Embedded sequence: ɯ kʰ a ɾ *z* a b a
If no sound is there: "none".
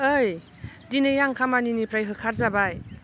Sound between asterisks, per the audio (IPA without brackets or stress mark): z